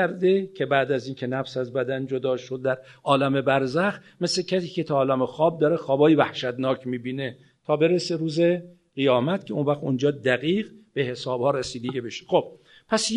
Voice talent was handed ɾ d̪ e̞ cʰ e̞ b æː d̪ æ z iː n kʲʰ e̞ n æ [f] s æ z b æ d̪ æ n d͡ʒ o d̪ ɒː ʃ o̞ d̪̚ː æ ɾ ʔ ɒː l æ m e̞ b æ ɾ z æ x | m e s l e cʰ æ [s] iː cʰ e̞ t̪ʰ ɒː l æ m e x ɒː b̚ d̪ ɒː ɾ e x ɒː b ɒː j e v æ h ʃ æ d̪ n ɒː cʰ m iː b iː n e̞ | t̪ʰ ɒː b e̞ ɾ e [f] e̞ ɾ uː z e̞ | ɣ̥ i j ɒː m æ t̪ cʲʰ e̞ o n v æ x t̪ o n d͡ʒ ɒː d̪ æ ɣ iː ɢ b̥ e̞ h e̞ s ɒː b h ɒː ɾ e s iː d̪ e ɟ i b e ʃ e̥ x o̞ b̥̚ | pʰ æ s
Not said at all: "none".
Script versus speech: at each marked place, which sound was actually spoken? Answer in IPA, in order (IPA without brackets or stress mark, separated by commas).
f, s, s